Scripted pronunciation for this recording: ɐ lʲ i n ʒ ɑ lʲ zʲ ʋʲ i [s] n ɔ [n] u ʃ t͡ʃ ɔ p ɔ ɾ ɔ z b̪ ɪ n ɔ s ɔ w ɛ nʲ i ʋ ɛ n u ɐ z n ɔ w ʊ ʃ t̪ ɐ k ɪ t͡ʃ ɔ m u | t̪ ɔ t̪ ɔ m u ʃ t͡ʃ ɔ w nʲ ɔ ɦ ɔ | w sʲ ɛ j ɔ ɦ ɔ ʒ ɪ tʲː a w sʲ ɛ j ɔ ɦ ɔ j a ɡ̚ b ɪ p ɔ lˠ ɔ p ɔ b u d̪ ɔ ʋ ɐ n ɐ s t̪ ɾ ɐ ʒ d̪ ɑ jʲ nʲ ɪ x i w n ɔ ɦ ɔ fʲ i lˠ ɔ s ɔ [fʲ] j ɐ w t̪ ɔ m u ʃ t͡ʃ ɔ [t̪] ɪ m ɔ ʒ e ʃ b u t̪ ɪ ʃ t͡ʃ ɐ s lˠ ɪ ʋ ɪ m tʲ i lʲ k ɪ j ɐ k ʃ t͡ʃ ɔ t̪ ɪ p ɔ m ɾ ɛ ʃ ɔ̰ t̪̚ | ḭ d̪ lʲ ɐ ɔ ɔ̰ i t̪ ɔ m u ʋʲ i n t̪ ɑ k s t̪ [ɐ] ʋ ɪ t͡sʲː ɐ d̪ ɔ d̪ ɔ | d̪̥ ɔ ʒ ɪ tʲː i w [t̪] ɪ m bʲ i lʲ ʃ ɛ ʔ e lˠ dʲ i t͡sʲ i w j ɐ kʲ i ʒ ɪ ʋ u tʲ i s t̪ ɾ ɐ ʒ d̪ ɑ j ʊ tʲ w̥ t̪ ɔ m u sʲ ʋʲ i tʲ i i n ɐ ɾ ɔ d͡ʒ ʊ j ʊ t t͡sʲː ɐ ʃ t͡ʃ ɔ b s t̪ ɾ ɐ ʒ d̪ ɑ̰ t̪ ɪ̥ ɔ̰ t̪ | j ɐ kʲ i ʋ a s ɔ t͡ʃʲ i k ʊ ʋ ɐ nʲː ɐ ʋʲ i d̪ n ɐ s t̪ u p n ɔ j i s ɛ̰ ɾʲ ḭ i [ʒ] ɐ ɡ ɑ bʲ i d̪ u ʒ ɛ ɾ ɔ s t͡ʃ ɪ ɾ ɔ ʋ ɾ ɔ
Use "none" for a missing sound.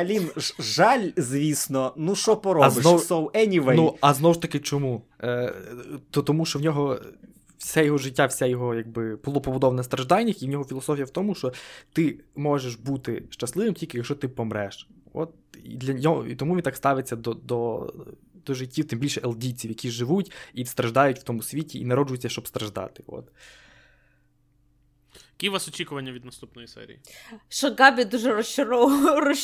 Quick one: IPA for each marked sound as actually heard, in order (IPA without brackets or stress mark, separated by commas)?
s, n, fʲ, t̪, ɑ, t̪, ʃ